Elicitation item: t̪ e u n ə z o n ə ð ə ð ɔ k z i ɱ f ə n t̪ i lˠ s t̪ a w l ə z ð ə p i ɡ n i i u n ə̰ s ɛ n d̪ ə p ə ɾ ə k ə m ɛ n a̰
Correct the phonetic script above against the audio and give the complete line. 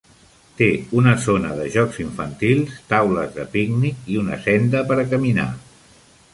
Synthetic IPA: t̪ e u n ə z o n ə ð ə ʒ ɔ k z i ɱ f ə n t̪ i lˠ s t̪ a w l ə z ð ə p i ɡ n i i u n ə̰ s ɛ n d̪ ə p ə ɾ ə k ə m i n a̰

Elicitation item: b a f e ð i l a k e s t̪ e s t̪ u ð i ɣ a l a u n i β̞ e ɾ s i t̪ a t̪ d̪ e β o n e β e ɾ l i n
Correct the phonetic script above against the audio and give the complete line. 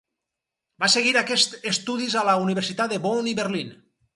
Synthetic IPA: b a s e ɣ i ɾ a k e s t̪ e s t̪ u ð i z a l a u n i β̞ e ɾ s i t̪ a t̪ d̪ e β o n i β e ɾ l i n

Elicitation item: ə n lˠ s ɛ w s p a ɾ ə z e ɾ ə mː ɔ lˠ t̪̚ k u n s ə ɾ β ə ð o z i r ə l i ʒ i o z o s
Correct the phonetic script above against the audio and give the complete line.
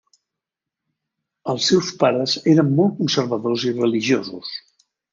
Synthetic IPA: ə lˠ s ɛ w s p a ɾ ə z e ɾ ə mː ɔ lˠ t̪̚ k u n s ə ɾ β ə ð o z i r ə l i ʒ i o z u s

